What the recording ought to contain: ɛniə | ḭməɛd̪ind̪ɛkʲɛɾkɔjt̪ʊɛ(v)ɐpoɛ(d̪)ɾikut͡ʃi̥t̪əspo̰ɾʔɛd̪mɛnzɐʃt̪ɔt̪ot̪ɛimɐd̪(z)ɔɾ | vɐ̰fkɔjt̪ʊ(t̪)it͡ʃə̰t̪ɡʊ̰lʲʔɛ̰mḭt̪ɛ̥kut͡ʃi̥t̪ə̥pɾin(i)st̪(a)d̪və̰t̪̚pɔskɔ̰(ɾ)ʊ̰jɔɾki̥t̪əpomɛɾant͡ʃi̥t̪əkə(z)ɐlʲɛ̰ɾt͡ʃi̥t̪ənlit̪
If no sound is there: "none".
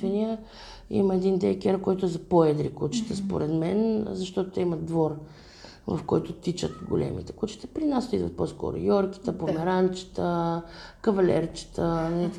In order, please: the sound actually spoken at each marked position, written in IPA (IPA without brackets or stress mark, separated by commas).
z, d̪, v, t̪, a, i, ɾ, v